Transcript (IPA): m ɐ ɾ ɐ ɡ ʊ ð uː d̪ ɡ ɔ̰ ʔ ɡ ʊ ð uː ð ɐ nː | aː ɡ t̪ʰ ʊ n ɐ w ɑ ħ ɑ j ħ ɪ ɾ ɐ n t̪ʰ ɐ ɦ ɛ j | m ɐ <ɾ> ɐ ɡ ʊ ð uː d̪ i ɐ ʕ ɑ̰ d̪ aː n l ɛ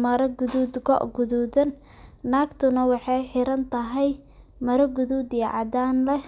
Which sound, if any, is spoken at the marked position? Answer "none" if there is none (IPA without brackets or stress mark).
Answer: ɾ